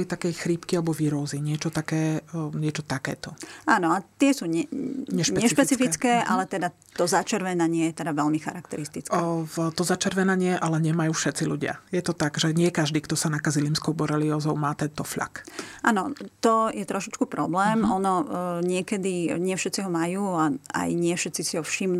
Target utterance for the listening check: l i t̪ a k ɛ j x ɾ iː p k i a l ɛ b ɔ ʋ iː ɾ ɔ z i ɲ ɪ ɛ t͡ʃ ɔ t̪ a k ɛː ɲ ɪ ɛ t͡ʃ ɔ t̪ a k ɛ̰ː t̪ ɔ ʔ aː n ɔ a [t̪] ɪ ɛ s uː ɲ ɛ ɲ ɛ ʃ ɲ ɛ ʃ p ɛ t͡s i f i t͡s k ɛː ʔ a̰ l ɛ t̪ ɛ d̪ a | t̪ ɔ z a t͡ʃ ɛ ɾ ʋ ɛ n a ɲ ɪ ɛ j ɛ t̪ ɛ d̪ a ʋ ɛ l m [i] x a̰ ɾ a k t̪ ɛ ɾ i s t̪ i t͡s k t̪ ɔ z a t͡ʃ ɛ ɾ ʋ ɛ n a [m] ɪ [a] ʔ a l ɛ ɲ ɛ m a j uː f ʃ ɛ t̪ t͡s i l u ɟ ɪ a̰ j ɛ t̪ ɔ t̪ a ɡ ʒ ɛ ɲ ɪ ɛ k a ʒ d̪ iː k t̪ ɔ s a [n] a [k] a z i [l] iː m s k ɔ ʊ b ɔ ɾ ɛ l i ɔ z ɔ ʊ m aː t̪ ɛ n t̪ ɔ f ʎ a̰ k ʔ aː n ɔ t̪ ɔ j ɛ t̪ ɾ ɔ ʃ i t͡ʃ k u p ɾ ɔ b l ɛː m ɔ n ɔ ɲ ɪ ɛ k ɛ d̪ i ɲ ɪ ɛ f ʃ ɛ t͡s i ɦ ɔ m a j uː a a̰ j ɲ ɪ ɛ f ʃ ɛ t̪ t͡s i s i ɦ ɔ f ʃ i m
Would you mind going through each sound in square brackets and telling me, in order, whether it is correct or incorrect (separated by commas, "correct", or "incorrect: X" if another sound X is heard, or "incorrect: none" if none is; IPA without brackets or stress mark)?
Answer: correct, correct, incorrect: ɲ, incorrect: ɛ, correct, correct, correct